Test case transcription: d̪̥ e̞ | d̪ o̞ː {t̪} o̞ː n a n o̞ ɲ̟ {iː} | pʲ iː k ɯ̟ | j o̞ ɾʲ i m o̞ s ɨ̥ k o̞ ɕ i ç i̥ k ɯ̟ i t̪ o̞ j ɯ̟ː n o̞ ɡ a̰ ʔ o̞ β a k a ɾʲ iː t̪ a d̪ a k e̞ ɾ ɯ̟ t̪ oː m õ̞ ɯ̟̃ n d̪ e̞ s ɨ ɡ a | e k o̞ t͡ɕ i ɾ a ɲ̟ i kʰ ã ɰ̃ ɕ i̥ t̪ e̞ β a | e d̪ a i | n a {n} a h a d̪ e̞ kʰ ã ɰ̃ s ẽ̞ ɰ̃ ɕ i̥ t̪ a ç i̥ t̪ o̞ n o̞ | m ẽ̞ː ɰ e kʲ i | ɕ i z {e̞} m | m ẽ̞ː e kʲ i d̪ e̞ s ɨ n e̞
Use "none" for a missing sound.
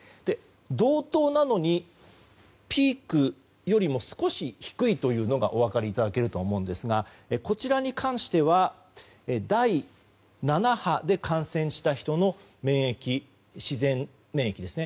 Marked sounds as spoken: t̪, i, n, ẽ̞

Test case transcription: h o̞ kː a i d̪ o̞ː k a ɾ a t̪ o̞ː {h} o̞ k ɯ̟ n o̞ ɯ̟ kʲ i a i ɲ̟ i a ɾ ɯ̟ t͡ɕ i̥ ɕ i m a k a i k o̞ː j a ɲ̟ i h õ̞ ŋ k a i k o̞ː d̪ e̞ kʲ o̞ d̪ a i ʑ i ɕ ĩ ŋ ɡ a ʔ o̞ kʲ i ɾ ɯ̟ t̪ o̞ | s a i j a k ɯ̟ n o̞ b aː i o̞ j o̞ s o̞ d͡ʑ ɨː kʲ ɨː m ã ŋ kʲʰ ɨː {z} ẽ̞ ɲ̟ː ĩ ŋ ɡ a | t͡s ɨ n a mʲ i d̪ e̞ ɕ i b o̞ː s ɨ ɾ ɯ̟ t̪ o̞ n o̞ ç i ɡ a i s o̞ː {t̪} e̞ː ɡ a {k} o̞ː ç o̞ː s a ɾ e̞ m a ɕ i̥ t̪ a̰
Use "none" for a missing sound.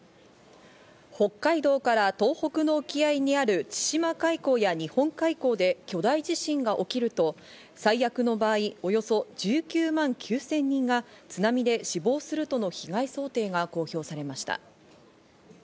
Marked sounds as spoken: h, s, t̪, k

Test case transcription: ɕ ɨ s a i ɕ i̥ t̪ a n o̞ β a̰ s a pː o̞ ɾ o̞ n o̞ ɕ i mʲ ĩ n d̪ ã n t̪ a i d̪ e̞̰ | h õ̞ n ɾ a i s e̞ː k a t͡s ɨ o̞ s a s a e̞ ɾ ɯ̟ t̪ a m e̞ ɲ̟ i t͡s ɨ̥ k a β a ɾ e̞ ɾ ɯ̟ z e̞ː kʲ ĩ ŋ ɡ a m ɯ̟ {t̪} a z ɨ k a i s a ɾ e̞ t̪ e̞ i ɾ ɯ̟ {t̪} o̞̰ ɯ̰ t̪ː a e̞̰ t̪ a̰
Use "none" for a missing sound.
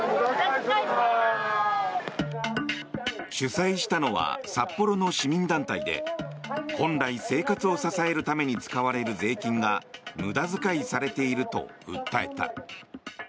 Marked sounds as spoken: d̪, t̪

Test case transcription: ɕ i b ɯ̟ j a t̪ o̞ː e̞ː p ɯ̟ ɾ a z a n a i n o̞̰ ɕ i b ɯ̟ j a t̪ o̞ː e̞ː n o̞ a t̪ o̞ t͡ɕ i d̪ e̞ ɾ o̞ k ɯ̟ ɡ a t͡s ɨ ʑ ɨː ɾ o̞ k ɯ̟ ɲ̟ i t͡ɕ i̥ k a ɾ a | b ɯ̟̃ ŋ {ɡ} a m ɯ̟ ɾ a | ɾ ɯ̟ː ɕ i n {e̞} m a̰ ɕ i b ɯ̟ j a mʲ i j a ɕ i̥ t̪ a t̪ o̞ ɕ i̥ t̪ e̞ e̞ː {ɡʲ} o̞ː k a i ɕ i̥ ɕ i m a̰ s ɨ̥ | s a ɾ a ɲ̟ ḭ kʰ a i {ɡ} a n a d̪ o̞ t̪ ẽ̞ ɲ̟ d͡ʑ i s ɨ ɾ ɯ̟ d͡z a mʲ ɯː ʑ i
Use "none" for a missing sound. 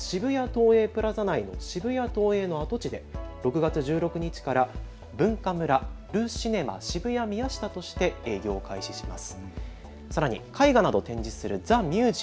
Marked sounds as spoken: k, e̞, ɡʲ, ɡ

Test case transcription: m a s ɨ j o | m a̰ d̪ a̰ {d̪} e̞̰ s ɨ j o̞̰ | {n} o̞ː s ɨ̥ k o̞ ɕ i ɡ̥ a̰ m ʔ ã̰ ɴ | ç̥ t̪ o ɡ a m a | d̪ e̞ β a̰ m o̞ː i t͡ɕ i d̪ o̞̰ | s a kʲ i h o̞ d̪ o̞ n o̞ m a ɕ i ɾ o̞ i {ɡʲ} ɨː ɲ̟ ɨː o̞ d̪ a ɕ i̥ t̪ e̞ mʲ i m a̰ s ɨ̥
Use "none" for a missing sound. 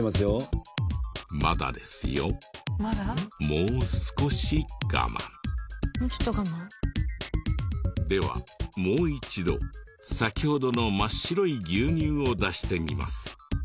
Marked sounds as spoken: d̪, m, ɡʲ

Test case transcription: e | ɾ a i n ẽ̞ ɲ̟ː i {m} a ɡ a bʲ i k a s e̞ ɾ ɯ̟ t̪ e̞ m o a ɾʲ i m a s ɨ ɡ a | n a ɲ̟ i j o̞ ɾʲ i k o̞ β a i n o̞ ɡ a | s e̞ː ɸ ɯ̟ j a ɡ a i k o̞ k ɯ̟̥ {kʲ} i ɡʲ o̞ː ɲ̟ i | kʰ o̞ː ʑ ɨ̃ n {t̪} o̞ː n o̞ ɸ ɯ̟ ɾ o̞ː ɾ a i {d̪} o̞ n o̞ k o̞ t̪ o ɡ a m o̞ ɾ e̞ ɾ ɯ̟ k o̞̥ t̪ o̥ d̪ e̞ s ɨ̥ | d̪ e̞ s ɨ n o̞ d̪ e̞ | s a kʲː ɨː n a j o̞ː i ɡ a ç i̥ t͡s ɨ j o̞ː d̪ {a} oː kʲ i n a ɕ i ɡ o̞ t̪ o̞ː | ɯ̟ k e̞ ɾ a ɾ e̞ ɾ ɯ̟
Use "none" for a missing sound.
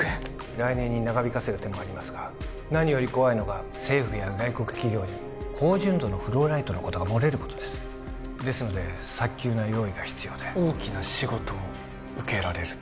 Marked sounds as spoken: n, kʲ, d̪, t̪, e

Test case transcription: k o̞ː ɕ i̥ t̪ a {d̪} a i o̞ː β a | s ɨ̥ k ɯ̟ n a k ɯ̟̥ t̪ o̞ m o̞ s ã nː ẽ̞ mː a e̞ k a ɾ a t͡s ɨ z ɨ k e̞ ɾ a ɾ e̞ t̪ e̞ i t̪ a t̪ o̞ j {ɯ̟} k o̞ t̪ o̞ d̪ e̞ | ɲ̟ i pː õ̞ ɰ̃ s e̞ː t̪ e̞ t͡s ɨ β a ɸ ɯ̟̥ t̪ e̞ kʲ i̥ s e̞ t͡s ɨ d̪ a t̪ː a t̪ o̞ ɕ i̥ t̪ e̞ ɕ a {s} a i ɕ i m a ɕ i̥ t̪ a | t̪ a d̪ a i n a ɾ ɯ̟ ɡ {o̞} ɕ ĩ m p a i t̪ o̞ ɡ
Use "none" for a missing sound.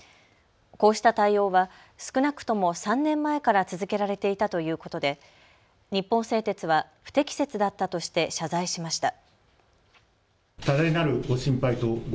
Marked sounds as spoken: t̪, ɯ̟ː, z, o̞

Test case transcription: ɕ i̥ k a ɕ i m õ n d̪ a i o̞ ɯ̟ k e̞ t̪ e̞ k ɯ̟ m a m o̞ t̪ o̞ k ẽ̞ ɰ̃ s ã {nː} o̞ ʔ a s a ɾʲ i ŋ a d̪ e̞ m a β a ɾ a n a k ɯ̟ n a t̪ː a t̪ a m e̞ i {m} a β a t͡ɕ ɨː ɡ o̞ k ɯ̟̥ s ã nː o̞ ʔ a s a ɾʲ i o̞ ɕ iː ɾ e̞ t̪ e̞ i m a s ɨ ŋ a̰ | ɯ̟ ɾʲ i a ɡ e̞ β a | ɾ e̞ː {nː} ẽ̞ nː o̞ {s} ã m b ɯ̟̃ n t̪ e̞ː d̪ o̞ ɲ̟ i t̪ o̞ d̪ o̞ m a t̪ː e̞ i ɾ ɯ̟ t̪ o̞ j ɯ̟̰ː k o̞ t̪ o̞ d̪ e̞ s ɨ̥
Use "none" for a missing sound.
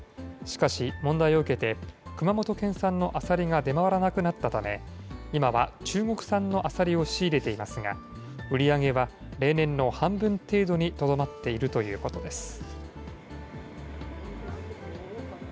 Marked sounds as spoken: nː, m, n, h

